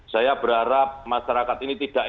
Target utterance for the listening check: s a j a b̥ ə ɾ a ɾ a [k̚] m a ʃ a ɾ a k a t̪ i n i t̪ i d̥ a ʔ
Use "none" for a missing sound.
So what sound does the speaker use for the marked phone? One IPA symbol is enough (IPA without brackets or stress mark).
p̚